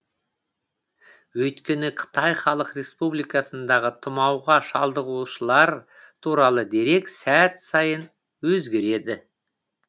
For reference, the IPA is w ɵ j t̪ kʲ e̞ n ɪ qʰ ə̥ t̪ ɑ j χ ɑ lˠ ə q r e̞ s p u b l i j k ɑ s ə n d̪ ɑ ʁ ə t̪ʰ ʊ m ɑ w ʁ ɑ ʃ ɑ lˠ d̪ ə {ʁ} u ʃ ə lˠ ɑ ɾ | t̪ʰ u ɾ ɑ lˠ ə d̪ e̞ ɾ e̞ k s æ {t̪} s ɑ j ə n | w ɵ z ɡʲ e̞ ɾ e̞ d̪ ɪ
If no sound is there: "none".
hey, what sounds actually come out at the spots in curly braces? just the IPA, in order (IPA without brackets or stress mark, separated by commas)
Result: ʁ, t̪